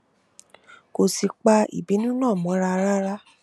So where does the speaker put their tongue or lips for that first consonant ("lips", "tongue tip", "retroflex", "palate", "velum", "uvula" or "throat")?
velum